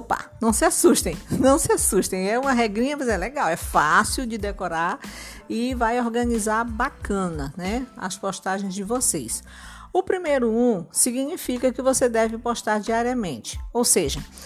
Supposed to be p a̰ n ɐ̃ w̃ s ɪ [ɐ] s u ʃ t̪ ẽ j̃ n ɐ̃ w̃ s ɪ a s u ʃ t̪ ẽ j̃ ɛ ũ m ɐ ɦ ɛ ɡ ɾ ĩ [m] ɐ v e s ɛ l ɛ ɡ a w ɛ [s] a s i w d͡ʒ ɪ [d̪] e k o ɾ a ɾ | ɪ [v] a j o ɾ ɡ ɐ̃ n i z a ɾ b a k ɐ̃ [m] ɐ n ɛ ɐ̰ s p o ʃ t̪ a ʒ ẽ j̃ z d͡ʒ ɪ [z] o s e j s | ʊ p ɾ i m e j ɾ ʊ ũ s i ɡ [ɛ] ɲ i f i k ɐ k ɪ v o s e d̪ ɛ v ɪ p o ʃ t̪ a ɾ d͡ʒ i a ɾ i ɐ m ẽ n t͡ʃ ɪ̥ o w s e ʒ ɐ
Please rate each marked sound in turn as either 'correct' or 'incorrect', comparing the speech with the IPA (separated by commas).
incorrect, incorrect, incorrect, correct, correct, incorrect, incorrect, incorrect